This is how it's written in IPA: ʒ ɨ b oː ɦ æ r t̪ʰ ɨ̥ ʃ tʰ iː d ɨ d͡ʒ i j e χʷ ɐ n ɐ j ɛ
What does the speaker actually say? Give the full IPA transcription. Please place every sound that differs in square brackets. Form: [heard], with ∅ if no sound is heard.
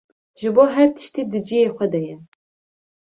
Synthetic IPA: ʒ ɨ b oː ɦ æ r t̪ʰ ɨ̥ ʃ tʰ iː d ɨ d͡ʒ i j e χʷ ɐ [d] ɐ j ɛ